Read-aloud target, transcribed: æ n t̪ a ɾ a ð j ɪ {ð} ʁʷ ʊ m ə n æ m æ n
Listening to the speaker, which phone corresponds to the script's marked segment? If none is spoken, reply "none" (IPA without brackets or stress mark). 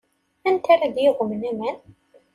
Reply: none